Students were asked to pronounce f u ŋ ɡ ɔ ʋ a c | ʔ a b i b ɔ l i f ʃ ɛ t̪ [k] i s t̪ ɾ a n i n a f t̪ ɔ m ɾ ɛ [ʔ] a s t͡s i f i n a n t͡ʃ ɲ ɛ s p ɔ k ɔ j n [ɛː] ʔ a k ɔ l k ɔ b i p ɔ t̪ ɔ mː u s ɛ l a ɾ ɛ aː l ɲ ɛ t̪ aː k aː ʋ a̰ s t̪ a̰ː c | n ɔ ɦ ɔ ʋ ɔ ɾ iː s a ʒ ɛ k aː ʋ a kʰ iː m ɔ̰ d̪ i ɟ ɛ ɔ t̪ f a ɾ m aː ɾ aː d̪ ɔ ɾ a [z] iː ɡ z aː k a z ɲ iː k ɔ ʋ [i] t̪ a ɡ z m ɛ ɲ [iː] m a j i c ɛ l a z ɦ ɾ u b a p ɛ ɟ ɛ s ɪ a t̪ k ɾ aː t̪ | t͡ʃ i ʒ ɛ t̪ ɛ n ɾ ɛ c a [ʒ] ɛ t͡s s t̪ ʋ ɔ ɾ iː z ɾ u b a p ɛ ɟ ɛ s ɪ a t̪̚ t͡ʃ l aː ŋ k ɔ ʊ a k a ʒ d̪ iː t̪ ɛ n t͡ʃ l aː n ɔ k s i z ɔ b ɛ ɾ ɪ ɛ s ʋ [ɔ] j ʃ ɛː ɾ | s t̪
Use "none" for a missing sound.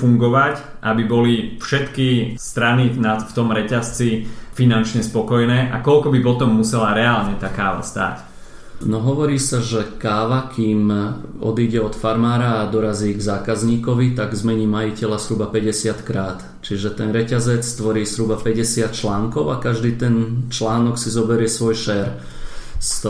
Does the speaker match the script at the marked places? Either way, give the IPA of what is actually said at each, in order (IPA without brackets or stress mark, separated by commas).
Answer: k, c, ɛː, z, i, iː, z, ɔ